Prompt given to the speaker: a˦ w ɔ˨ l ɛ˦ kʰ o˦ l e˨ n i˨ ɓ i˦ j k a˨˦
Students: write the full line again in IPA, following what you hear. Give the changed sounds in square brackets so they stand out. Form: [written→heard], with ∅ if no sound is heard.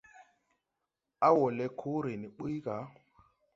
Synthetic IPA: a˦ w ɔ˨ l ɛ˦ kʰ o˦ [l→ɾ] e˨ n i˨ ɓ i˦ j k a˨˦